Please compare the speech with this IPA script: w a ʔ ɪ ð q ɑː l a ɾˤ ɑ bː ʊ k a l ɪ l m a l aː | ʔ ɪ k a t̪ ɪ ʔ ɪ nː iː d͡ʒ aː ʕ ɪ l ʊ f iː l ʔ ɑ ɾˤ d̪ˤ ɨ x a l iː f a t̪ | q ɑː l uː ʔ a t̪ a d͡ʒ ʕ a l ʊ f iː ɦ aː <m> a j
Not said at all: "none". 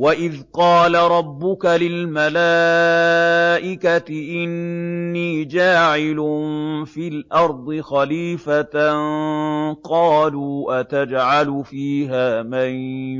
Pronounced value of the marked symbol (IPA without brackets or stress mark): m